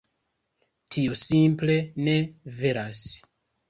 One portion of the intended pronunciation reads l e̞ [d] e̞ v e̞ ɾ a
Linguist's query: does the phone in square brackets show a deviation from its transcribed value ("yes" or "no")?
yes